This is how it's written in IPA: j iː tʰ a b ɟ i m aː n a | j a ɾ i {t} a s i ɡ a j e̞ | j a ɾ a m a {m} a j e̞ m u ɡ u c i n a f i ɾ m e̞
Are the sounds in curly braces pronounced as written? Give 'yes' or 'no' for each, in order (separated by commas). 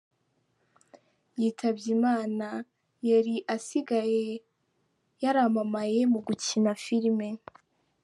no, yes